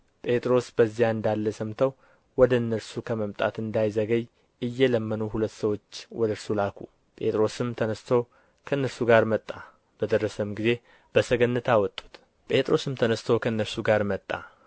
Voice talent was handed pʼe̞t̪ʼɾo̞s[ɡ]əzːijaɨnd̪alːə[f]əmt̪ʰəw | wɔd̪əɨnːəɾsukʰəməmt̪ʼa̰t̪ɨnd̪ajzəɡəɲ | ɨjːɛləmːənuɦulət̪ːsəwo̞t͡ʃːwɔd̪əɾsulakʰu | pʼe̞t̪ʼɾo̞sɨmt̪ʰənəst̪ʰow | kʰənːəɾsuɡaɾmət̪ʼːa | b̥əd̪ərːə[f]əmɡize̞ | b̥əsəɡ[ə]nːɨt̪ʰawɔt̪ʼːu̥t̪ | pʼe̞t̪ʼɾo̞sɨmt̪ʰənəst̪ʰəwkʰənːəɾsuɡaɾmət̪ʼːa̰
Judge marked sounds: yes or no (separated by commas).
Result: no, no, no, yes